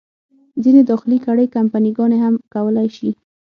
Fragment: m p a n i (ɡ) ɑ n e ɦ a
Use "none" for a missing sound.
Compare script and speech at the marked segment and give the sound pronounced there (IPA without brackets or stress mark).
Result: ɡ